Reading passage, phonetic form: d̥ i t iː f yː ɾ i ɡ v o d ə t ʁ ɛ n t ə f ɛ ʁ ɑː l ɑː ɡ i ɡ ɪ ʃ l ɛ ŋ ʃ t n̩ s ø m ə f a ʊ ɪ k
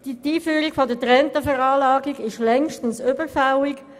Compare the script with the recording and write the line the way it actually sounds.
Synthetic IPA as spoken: d̥ i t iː f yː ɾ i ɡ f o d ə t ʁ ɛ n t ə f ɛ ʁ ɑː l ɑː ɡ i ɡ ɪ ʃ l ɛ ŋ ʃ t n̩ s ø b ə f a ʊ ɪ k

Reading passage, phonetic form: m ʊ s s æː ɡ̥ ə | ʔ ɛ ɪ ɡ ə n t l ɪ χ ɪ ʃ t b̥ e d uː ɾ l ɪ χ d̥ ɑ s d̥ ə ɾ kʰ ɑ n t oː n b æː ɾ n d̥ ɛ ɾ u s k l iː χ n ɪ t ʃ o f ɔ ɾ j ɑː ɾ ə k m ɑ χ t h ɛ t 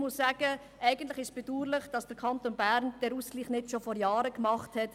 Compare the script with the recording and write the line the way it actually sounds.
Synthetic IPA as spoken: m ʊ s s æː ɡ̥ ə | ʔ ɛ ɪ ɡ ə n t l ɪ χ ɪ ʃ s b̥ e d uː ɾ l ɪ χ d̥ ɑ s d̥ ə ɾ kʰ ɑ n t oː n b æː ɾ n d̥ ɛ ɾ u s k l iː χ n ɪ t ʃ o f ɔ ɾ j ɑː ɾ ə k m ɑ χ t h ɛ t

